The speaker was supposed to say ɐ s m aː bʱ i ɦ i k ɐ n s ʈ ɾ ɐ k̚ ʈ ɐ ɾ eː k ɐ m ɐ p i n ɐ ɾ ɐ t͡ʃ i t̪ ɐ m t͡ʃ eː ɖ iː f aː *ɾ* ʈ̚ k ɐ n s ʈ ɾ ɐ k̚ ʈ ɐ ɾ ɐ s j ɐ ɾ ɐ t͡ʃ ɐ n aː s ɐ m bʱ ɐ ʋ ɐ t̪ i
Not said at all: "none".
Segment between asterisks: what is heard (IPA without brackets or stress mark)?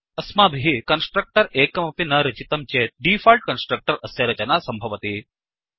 l